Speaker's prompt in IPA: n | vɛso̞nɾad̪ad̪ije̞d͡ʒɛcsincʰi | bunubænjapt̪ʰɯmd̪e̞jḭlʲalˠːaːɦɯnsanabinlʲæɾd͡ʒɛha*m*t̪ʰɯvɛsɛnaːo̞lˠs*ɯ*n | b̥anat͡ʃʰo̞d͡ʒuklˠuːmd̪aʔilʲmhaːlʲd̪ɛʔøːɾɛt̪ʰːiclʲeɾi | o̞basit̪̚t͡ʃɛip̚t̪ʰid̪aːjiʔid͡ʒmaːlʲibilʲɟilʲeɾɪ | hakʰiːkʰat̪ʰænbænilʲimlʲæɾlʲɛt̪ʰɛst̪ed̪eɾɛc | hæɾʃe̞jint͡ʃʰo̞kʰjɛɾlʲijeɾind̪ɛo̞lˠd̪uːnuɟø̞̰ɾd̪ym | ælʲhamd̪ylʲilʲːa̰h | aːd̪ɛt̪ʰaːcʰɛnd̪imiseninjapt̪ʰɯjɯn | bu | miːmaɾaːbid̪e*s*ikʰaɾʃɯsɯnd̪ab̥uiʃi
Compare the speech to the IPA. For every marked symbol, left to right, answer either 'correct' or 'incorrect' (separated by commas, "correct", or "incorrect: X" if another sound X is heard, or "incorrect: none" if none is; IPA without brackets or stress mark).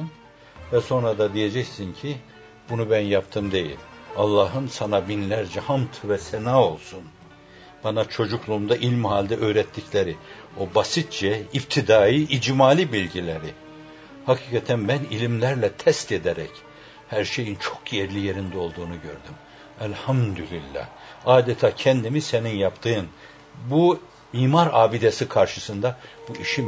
correct, incorrect: u, correct